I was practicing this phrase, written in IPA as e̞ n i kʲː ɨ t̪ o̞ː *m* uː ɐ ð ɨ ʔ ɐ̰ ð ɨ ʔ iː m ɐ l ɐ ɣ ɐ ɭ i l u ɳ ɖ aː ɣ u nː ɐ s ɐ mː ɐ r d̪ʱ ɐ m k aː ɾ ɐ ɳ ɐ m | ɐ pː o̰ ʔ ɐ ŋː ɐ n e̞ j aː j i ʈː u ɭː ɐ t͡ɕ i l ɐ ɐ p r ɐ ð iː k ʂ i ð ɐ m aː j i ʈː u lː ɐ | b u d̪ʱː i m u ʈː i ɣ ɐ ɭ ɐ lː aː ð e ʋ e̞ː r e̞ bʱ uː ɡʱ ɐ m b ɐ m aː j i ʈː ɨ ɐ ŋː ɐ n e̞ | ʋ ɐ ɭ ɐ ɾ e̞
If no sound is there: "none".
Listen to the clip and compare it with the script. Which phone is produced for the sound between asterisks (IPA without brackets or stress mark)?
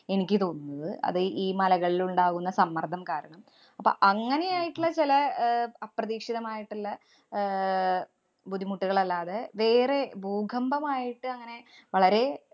n